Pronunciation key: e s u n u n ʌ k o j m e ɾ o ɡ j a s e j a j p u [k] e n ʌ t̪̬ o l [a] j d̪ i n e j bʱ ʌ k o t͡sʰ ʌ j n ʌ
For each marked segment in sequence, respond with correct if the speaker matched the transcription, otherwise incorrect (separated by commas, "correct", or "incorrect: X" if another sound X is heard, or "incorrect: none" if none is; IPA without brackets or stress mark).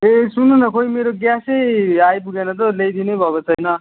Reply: incorrect: ɡ, incorrect: e